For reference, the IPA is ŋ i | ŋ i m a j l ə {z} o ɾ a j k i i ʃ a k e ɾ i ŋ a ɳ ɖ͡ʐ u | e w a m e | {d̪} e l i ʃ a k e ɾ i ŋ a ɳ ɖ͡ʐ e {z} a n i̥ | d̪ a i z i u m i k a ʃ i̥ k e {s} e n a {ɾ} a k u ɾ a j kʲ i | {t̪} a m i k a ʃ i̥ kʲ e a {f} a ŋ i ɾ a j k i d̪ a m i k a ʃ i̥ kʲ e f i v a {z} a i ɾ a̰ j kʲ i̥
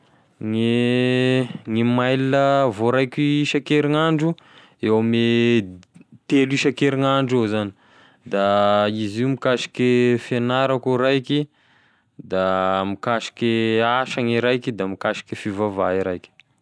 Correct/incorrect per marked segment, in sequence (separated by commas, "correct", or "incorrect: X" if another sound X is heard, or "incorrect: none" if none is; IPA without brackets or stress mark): incorrect: v, incorrect: t̪, correct, incorrect: f, correct, incorrect: d̪, incorrect: ʃ, incorrect: v